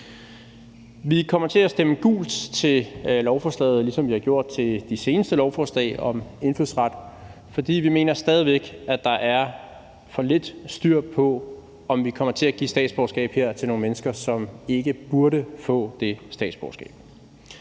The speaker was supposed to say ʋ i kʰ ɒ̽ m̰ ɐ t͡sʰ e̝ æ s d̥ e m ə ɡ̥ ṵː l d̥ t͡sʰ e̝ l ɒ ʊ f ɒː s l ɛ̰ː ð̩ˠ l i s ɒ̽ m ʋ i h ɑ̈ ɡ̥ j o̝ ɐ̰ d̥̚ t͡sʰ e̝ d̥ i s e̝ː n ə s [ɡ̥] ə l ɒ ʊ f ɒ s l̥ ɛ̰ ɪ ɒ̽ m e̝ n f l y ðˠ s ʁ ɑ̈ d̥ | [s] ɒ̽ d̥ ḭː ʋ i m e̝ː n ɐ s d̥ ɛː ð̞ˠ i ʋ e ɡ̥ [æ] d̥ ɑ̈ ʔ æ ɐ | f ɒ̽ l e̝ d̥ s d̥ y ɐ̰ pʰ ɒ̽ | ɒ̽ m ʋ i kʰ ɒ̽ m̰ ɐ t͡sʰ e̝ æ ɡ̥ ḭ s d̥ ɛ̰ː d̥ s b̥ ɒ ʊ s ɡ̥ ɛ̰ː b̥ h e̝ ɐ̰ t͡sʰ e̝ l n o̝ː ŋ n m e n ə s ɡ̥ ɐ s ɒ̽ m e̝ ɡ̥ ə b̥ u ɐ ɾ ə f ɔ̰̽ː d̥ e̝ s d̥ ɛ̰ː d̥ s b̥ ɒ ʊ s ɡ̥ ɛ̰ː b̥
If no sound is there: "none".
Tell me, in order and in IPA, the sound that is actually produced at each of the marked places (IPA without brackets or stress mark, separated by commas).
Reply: d̥, f, æ